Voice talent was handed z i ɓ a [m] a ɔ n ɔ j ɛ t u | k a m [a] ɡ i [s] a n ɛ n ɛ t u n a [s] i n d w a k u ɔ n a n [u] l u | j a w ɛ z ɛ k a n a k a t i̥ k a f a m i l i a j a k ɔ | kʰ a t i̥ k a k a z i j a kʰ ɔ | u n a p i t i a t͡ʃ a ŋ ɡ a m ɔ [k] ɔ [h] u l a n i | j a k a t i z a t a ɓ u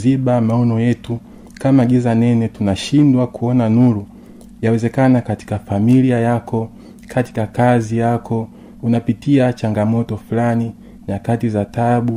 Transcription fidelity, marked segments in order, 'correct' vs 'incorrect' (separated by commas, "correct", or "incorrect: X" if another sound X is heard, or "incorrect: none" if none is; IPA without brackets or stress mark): correct, correct, incorrect: z, incorrect: ʃ, correct, incorrect: t, incorrect: f